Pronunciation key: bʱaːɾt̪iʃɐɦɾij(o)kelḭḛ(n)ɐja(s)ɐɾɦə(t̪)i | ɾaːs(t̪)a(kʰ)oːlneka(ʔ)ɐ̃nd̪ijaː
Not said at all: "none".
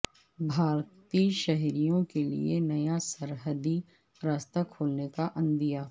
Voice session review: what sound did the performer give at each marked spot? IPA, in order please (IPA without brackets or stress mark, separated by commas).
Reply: õ, n, s, d̪, t̪, kʰ, ʔ